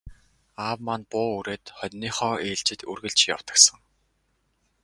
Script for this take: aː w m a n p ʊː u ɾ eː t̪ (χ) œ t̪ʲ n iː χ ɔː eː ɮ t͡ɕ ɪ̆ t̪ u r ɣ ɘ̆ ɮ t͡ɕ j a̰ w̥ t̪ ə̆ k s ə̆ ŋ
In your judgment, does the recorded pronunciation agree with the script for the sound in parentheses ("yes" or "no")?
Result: yes